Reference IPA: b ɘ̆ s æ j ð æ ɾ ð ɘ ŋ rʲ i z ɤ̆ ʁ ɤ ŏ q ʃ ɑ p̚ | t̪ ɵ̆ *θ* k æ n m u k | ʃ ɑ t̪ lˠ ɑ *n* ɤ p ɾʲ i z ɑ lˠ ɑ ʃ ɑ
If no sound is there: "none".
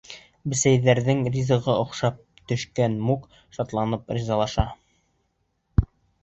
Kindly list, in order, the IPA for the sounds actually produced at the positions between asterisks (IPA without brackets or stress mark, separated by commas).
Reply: ʃ, n